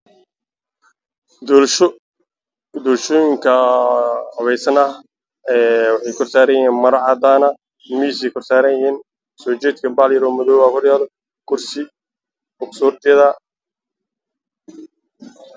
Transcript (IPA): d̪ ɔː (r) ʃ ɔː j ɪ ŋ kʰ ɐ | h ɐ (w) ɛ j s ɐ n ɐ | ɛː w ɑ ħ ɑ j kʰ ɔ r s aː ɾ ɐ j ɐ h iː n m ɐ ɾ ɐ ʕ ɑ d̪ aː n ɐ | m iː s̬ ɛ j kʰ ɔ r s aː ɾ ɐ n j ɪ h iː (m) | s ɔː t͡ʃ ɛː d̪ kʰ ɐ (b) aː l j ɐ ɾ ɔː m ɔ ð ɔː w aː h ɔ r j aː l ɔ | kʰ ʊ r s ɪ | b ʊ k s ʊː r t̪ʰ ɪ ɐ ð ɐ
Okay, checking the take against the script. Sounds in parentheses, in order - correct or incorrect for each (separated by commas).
incorrect, incorrect, incorrect, correct